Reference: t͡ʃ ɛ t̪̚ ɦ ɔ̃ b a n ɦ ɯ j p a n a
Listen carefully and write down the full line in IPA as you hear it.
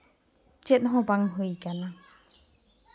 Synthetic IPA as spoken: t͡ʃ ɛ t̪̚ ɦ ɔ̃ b a ŋ ɦ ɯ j k a n a